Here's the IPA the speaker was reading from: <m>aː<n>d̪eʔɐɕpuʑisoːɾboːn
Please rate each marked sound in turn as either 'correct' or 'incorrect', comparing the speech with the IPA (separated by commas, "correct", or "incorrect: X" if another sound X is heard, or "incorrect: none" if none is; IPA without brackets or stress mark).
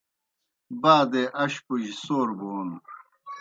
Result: incorrect: b, incorrect: none